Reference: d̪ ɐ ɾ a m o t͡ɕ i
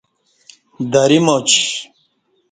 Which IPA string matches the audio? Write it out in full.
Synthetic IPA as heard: d̪ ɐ ɾ i m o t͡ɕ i